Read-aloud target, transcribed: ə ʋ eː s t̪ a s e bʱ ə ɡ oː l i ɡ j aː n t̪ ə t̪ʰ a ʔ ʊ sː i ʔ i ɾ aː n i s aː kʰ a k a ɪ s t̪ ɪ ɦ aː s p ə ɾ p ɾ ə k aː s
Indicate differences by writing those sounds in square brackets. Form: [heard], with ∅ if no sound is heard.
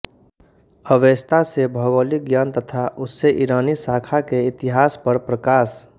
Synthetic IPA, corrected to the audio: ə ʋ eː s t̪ a s e bʱ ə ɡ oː l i ɡ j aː n t̪ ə t̪ʰ a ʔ ʊ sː [e] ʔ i ɾ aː n i s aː kʰ a k [e] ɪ [∅] t̪ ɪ ɦ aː s p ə ɾ p ɾ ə k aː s